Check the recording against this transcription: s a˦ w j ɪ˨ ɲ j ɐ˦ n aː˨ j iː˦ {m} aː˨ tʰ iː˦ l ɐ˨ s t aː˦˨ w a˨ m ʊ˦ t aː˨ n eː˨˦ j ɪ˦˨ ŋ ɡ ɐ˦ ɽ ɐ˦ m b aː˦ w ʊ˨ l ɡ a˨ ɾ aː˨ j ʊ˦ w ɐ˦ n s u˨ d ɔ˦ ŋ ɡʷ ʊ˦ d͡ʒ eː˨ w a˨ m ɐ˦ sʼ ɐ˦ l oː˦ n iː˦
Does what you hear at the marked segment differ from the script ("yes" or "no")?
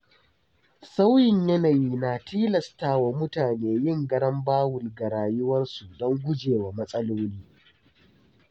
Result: yes